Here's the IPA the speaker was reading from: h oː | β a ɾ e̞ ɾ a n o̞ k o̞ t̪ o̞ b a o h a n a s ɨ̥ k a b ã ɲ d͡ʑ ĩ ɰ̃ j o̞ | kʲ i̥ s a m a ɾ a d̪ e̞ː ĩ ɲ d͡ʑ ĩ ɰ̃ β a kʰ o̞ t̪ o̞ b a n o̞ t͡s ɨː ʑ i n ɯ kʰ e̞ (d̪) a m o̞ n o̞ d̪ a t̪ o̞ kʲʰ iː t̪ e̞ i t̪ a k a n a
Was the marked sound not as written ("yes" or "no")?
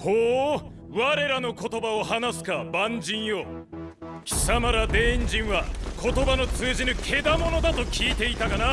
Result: no